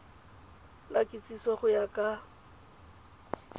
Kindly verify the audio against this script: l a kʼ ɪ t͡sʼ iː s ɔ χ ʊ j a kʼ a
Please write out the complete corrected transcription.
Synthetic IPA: l a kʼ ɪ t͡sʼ i s ɔ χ ʊ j a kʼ a